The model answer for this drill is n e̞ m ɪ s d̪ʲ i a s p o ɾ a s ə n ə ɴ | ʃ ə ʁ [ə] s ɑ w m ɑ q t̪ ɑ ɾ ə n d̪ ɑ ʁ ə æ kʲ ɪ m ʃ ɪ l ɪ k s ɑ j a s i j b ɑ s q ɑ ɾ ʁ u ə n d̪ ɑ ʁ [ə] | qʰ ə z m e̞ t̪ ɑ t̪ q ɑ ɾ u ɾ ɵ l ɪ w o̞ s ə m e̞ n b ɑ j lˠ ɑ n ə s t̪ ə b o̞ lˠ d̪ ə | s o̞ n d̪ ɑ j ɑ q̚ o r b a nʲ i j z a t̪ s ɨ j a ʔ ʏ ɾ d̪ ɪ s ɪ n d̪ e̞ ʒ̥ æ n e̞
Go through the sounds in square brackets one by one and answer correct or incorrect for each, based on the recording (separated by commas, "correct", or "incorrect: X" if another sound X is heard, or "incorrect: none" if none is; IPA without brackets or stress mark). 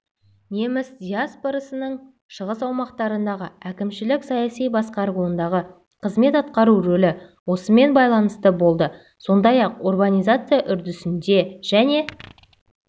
correct, correct